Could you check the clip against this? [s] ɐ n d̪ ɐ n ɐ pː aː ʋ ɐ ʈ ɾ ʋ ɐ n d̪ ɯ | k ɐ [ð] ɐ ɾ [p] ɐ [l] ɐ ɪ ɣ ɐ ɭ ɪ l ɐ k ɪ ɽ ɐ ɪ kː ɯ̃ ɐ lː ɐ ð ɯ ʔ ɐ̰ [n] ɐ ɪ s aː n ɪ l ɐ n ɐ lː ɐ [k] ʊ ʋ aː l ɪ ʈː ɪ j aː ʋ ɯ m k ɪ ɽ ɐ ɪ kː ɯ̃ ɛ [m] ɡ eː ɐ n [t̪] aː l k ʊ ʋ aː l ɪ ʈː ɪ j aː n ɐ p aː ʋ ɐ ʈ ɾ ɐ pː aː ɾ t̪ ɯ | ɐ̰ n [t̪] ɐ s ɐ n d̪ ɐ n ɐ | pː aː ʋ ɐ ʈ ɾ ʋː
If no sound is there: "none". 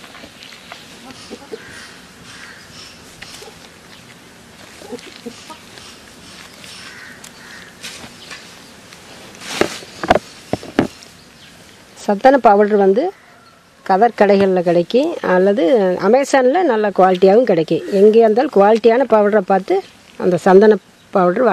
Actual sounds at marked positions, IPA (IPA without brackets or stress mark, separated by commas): s, ð, k, ɽ, m, k, ŋ, d̪, d̪